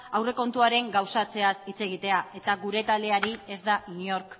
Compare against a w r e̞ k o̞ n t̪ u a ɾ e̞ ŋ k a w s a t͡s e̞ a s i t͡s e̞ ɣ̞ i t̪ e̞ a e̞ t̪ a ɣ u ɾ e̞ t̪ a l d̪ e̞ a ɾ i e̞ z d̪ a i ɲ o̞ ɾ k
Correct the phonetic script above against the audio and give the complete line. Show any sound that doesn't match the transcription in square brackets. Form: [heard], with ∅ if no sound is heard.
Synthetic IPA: a w r e̞ k o̞ n t̪ u a ɾ e̞ ŋ [ɡ] a w s a t͡s e̞ a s i t͡s e̞ ɣ̞ i t̪ e̞ a e̞ t̪ a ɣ u ɾ e̞ t̪ a l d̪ e̞ a ɾ i e̞ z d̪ a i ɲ o̞ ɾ k